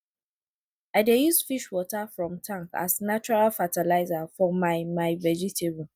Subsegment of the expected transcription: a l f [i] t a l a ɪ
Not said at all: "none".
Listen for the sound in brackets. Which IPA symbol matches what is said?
a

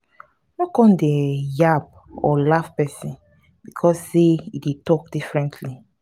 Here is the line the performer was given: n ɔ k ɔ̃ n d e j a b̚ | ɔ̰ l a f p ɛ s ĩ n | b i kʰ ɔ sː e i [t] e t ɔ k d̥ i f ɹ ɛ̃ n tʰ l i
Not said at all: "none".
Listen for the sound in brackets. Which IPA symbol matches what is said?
d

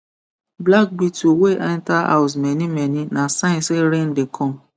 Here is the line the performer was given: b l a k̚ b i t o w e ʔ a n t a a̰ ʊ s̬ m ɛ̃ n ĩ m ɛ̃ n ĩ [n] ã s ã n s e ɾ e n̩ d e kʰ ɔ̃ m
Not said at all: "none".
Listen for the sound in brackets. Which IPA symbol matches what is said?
n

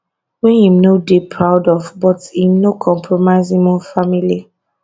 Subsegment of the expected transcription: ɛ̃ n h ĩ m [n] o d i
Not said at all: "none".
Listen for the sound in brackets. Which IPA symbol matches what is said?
n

